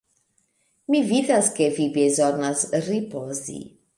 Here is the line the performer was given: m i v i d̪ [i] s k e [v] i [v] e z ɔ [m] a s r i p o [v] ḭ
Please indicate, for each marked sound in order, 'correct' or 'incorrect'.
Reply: incorrect, correct, incorrect, incorrect, incorrect

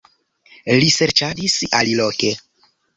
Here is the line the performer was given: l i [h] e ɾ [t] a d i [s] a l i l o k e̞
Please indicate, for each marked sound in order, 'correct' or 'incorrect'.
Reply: incorrect, incorrect, correct

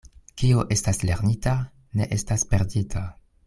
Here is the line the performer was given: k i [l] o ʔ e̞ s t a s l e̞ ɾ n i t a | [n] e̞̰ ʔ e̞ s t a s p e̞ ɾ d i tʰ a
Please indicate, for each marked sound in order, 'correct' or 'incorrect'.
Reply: incorrect, correct

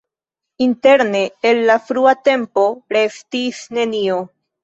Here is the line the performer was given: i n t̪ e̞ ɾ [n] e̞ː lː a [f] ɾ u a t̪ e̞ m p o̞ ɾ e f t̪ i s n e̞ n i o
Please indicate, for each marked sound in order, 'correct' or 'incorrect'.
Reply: correct, correct

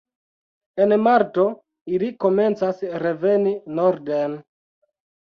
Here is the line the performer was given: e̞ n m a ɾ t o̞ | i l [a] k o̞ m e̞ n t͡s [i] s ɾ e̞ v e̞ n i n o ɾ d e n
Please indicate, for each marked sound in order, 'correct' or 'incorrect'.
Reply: incorrect, incorrect

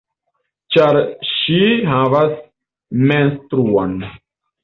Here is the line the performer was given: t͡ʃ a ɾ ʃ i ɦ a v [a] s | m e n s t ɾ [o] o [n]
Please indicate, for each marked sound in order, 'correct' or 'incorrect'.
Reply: correct, incorrect, correct

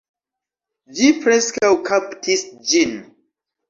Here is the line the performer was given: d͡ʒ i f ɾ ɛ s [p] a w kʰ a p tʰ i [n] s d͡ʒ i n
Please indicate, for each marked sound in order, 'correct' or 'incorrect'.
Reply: incorrect, incorrect

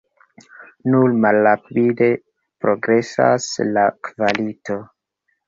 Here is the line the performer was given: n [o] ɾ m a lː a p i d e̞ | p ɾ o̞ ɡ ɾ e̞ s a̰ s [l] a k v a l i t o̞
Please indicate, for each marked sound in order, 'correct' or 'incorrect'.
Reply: incorrect, correct

